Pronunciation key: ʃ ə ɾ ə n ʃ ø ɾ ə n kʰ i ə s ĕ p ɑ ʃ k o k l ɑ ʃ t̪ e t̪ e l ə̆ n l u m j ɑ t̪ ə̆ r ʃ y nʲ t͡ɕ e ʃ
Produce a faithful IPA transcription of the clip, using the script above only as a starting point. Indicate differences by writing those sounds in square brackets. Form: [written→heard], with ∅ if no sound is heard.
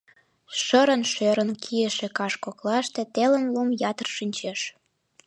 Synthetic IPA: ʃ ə ɾ ə n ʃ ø ɾ ə n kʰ i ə [s→ʃ] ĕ [p→k] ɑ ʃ k o k l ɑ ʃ t̪ e t̪ e l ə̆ n l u m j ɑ t̪ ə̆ r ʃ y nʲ t͡ɕ e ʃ